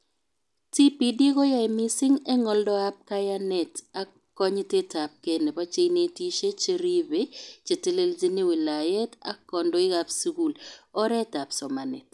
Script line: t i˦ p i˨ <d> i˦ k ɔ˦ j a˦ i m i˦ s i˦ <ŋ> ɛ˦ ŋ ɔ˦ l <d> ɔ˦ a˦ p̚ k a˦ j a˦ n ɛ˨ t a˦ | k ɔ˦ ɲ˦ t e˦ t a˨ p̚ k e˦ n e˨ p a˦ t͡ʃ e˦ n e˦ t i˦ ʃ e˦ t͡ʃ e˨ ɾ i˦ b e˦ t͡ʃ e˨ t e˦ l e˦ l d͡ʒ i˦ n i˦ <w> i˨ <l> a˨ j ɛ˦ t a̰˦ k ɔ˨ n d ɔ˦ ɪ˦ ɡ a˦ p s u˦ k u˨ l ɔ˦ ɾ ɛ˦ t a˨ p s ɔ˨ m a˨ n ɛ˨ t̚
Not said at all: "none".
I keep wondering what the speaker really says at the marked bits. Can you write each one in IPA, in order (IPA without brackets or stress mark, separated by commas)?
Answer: d, ŋ, d, w, l